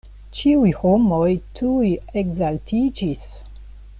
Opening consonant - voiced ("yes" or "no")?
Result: no